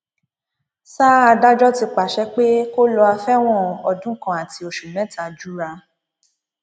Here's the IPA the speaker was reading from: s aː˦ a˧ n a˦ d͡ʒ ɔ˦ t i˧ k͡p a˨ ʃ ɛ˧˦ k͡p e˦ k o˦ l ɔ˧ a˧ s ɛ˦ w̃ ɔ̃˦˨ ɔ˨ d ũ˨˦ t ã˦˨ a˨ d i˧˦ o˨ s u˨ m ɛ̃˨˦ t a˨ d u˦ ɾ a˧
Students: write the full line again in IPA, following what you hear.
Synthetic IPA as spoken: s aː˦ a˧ d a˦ d͡ʒ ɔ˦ t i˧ k͡p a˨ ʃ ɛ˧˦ k͡p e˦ k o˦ l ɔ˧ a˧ f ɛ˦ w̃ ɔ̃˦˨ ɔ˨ d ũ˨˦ k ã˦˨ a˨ t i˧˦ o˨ ʃ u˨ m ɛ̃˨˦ t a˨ d͡ʒ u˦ ɾ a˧